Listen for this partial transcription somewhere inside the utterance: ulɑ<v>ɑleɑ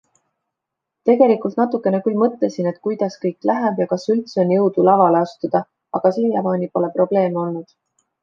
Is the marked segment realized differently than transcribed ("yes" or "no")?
no